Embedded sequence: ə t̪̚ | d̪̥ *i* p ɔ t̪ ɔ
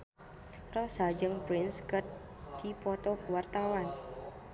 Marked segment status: correct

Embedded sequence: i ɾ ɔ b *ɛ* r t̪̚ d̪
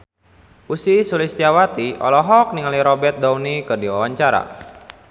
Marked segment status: correct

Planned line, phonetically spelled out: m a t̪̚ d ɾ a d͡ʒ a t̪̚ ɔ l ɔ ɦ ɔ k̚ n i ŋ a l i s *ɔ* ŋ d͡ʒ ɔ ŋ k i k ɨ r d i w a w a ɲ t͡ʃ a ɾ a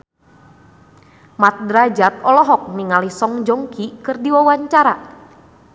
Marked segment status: correct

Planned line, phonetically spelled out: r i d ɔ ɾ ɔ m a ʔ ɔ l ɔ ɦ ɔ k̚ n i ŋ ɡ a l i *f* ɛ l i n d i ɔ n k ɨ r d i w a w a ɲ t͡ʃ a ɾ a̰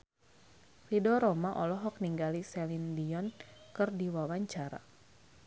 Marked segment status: incorrect: s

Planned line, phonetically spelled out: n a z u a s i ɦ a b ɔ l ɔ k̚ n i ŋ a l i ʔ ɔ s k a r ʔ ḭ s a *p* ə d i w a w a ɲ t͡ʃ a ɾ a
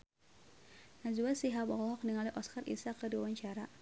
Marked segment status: incorrect: k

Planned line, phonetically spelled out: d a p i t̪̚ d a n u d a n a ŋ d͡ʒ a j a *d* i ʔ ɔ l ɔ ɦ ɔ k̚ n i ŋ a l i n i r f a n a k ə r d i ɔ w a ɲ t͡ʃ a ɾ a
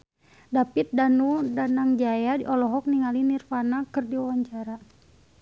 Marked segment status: correct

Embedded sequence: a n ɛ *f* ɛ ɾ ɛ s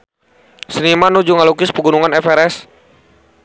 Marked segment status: correct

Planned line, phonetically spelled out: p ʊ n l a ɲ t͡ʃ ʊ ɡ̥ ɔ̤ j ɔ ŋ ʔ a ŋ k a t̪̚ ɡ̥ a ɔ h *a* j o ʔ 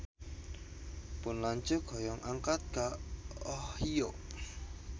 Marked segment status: incorrect: i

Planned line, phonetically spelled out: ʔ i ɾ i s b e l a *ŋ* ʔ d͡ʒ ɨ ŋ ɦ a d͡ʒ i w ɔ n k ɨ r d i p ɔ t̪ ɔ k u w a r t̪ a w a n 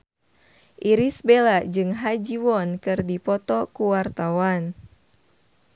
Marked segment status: incorrect: none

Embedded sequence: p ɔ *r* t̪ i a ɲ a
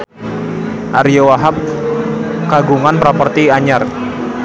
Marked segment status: correct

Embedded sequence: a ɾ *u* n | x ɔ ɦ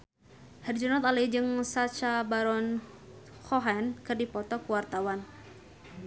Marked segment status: incorrect: ɔ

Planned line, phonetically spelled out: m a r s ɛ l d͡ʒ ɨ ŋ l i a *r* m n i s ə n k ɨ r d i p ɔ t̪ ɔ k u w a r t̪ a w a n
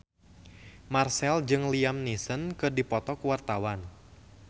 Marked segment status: incorrect: none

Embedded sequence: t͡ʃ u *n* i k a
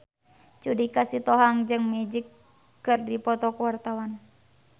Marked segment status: incorrect: d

